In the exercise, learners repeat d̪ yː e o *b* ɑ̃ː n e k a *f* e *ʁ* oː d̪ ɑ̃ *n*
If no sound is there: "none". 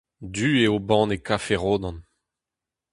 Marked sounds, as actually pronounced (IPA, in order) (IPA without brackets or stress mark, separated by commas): b, f, ʁ, n